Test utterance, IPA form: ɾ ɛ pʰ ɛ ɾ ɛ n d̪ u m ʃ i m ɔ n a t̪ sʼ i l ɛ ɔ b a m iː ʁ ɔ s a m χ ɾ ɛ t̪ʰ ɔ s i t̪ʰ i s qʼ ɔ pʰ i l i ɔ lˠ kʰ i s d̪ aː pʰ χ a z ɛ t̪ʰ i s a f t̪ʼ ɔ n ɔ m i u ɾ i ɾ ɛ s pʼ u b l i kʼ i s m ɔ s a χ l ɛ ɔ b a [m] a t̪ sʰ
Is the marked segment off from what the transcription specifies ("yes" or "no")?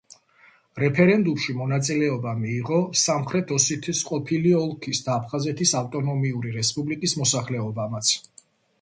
no